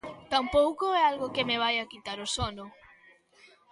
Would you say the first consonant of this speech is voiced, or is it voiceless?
voiceless